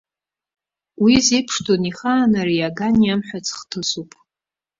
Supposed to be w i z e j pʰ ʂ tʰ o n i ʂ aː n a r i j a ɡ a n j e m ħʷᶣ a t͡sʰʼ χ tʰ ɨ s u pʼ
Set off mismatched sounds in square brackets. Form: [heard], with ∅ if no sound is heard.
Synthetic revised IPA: w i z e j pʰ ʂ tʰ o n i [χ] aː n a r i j a ɡ a n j [a] m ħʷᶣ a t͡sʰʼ χ tʰ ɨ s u pʼ